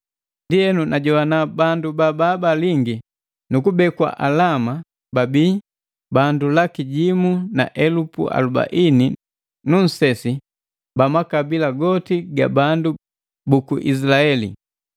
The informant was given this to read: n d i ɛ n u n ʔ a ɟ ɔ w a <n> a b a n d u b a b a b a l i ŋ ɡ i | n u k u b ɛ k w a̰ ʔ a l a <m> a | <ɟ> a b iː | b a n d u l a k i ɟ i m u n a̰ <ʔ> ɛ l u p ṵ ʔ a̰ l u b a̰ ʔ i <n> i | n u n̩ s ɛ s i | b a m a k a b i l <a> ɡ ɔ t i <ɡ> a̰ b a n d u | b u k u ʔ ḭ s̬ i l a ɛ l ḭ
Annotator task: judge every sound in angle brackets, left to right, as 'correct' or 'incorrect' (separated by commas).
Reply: correct, correct, incorrect, correct, correct, correct, correct